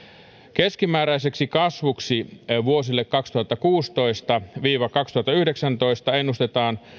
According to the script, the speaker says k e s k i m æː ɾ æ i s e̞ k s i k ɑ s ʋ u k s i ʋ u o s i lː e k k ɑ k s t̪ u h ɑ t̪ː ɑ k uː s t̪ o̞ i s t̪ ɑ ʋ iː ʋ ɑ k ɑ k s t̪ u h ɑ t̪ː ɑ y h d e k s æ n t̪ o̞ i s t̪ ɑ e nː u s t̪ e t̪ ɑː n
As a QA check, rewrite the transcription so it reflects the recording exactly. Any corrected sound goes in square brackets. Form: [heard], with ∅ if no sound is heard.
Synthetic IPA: k e s k i m æː ɾ æ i s e̞ k s i k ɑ s ʋ u k s i ʋ u o s i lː e k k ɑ k s t̪ u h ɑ t̪ː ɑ k uː s t̪ o̞ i s t̪ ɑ ʋ iː ʋ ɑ k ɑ k s t̪ u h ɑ t̪ː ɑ y h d e k s æ n t̪ o̞ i s t̪ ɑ e nː u s t̪ e t̪ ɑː n